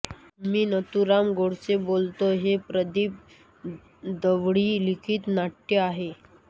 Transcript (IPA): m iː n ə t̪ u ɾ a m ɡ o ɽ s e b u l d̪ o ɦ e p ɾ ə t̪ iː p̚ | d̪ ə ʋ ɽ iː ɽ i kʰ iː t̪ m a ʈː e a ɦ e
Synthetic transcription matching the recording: m iː n ə t̪ u ɾ a m ɡ o ɽ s e b o l t̪ o ɦ e p ɾ ə d̪ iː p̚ | d̪ ə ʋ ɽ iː l i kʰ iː t̪ n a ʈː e a ɦ e

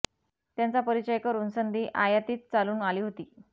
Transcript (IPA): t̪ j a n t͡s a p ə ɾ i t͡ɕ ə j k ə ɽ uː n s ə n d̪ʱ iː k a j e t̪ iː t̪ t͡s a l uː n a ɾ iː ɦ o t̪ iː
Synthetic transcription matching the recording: t̪ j a n t͡s a p ə ɾ i t͡ɕ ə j k ə ɾ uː n s ə n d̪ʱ iː ʔ a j a t̪ iː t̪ t͡s a l uː n a l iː ɦ o t̪ iː

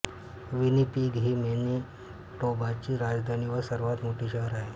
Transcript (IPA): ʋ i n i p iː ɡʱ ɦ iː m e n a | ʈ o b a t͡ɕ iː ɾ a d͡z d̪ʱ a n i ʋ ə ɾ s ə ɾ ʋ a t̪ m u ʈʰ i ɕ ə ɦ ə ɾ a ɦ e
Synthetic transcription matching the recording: ʋ i n i p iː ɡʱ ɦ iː m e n i | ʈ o b a t͡ɕ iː ɾ a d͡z d̪ʱ a n i ʋ ə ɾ s ə ɾ ʋ a t̪ m o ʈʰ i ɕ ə ɦ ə ɾ a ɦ e

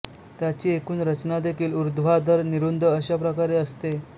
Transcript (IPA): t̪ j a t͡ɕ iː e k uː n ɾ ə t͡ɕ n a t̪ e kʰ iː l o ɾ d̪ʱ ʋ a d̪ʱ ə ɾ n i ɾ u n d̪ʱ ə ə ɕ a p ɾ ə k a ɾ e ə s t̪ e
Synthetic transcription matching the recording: t̪ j a t͡ɕ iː e k uː n ɾ ə t͡ɕ n a d̪ e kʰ iː l u ɾ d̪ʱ ʋ a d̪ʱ ə ɾ n i ɾ u n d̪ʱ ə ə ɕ a p ɾ ə k a ɾ e ə s t̪ e

